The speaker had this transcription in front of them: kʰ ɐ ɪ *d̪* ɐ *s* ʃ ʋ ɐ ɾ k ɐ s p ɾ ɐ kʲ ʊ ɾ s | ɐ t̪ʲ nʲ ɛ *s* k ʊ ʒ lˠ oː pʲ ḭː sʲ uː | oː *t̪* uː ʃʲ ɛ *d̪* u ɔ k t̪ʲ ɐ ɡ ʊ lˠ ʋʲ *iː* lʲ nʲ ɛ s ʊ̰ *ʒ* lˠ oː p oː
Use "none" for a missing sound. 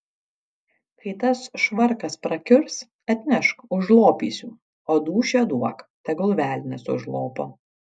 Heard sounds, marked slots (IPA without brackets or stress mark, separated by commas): t̪, s, ʃ, d̪, d̪, æː, ʒ